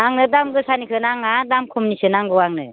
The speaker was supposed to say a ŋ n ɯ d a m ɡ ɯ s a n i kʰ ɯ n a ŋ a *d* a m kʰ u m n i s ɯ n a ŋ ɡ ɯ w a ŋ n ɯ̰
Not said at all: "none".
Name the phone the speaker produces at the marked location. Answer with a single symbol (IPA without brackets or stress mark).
d